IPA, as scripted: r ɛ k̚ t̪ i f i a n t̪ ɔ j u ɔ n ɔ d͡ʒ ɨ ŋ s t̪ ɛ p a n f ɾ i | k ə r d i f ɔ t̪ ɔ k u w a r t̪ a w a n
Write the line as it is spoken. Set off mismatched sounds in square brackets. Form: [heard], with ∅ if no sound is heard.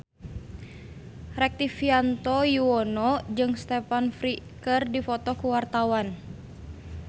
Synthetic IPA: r ɛ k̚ t̪ i f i a n t̪ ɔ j u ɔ n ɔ d͡ʒ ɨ ŋ s t̪ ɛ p a n f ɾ i | k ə r d i f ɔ t̪ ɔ k u w a r t̪ a w a n